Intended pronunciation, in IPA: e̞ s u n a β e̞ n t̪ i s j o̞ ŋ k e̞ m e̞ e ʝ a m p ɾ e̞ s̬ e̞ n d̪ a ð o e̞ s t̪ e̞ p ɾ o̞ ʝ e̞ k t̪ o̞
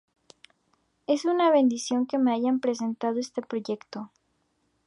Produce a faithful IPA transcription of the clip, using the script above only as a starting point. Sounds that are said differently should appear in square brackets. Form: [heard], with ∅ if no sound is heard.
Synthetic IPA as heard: e̞ s u n a β e̞ n [d̪] i s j o̞ ŋ k e̞ m e̞ [a] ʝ a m p ɾ e̞ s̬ e̞ n [t̪] a ð o e̞ s t̪ e̞ p ɾ o̞ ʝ e̞ k t̪ o̞